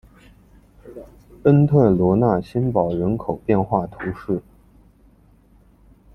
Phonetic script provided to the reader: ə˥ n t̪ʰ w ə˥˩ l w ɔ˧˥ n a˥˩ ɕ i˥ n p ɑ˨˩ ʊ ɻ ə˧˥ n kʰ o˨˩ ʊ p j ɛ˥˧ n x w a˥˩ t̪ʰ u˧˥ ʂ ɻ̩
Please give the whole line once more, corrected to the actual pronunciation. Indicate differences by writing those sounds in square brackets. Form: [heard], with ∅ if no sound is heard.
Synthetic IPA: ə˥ n t̪ʰ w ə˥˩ l w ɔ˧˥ n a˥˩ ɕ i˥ n p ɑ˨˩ ʊ ɻ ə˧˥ n kʰ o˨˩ ʊ p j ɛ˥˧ n x w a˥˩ t̪ʰ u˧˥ ʂ ɻ̩